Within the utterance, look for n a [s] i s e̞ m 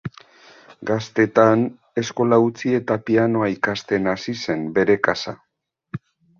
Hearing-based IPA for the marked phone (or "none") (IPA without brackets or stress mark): s